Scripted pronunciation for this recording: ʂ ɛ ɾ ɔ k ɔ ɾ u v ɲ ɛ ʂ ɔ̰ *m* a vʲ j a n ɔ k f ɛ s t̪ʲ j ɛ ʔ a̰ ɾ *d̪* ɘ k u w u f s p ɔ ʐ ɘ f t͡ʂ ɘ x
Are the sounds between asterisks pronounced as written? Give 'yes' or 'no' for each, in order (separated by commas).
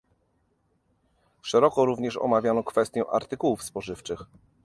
yes, no